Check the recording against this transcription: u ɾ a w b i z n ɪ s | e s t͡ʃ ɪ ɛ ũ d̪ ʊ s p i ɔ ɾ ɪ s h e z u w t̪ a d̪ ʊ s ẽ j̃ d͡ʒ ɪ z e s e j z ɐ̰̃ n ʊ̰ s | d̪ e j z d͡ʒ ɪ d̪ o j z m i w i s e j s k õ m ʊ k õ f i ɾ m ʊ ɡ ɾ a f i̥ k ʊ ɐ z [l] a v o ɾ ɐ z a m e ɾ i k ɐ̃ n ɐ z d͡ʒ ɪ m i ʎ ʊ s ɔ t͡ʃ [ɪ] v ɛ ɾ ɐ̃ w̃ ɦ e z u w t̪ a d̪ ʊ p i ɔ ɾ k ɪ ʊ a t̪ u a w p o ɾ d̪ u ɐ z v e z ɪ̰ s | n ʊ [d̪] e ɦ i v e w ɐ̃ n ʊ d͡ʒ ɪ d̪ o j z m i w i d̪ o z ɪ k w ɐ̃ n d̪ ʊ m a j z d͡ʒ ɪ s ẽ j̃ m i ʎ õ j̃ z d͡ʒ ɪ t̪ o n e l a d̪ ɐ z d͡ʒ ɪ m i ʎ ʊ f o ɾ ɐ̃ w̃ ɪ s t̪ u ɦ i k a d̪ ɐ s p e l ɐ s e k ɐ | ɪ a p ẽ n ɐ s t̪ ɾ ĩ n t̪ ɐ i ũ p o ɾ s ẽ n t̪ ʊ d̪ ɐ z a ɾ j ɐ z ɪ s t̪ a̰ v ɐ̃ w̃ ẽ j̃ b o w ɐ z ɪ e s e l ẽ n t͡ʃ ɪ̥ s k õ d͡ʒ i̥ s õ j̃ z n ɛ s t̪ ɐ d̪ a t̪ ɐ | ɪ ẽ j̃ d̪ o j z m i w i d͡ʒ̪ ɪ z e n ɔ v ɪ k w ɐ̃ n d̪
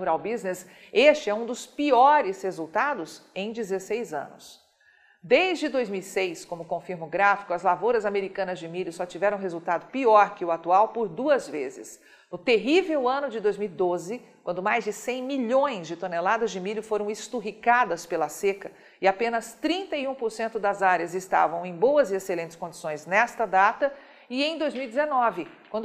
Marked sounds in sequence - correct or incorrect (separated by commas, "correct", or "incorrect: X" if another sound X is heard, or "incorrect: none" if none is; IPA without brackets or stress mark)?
correct, incorrect: i, incorrect: t̪